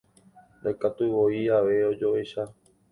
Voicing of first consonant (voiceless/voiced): voiced